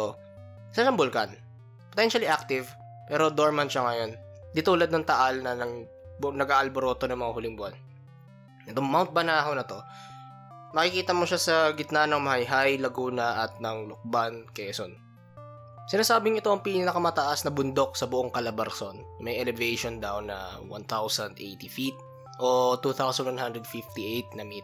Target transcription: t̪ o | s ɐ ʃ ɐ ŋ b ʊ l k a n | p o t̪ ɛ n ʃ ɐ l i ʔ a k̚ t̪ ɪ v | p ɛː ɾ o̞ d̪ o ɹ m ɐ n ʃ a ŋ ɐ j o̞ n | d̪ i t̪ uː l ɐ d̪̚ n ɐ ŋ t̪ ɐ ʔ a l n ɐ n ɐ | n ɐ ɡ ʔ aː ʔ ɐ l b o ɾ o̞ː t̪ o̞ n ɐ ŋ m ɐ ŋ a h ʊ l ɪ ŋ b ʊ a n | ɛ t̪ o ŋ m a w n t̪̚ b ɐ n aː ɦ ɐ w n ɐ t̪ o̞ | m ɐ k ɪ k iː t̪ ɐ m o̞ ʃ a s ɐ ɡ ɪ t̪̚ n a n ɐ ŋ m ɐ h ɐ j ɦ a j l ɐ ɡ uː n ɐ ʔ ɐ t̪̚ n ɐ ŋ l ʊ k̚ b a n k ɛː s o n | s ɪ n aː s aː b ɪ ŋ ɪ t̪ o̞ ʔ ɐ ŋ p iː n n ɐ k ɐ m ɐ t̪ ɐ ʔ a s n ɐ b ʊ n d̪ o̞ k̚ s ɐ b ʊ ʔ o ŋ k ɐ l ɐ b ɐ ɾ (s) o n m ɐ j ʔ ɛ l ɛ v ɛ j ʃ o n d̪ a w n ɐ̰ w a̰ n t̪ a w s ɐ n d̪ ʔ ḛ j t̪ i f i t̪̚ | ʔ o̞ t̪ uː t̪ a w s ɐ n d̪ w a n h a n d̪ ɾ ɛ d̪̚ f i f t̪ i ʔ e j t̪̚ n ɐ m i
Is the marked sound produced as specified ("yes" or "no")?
yes